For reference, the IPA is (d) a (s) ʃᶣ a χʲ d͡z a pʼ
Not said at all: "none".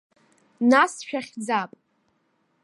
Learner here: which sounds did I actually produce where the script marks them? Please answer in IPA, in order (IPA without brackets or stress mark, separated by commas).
n, s